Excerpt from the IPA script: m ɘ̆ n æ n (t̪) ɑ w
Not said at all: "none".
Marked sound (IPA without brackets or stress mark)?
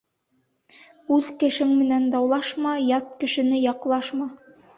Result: d̪